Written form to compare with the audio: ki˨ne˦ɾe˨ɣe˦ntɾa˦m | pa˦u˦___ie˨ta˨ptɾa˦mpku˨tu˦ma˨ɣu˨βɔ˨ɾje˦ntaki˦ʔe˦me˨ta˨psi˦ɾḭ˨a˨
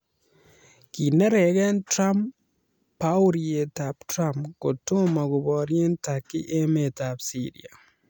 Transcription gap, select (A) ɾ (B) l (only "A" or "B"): A